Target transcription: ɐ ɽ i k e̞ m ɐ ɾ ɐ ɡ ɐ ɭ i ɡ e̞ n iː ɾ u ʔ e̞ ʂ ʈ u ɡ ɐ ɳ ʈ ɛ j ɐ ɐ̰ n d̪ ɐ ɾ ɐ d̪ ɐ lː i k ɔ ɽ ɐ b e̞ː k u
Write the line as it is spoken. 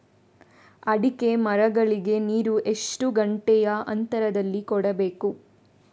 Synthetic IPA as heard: ɐ ɽ i k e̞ m ɐ ɾ ɐ ɡ ɐ ɭ i ɡ e̞ n iː ɾ u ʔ e̞ ʂ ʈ u ɡ ɐ ɳ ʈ ɛ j ɐ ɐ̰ n t̪ ɐ ɾ ɐ d̪ ɐ lː i k ɔ ɽ ɐ b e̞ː k u